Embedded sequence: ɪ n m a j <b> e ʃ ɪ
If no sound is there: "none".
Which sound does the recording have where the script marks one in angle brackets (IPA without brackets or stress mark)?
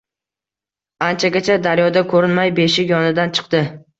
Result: b